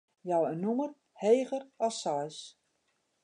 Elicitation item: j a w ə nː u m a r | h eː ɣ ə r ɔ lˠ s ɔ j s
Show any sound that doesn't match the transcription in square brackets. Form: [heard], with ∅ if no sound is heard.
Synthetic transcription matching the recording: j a w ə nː u m [ə] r | h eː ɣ ə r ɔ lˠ s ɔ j s